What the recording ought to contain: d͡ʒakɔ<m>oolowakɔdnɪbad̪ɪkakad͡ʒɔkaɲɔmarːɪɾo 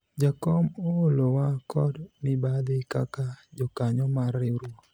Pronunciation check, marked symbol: correct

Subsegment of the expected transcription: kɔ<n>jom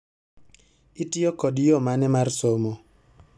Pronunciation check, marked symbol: incorrect: d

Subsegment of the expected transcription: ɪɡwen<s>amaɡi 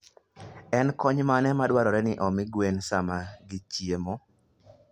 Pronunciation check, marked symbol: correct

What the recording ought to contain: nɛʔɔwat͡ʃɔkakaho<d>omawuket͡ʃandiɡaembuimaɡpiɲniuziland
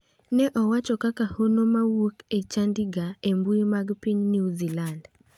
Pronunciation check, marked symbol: incorrect: n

